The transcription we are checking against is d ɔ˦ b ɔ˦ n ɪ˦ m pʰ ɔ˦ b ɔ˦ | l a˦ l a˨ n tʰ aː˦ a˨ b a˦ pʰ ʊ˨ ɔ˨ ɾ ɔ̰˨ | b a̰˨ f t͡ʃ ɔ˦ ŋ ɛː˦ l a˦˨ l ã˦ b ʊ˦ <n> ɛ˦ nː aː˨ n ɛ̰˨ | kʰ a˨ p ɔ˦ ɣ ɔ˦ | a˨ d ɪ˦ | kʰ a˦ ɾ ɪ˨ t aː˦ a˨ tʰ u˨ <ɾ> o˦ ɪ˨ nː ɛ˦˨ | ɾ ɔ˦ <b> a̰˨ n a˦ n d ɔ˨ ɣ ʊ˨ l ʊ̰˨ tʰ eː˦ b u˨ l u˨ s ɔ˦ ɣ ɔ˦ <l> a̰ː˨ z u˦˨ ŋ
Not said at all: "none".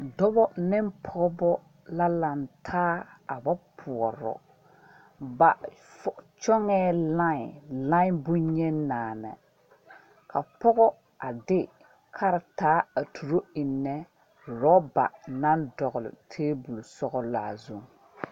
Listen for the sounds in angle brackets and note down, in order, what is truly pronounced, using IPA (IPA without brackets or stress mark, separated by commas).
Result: ɲ, ɾ, b, l